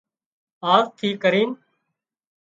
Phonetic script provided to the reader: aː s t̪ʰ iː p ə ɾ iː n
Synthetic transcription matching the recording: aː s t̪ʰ iː k ə ɾ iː n

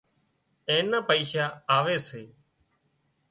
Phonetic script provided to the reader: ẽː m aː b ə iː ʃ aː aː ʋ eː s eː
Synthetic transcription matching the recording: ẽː n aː p ə iː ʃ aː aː ʋ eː s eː

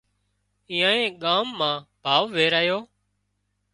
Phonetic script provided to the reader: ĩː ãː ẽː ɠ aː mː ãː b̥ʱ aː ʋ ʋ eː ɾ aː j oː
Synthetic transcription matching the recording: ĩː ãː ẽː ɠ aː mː ãː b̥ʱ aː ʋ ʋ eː ɾ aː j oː

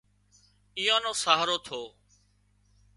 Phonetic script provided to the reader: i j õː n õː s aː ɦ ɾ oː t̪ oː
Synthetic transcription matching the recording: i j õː n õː s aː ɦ ɾ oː t̪ʰ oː

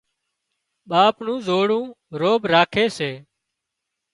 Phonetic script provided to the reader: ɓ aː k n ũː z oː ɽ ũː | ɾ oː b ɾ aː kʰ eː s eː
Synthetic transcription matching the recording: ɓ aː p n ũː z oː ɽ ũː | ɾ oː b ɾ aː kʰ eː s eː

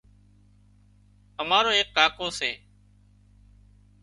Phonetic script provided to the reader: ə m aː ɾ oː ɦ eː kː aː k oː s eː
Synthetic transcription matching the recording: ə m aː ɾ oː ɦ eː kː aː k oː s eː

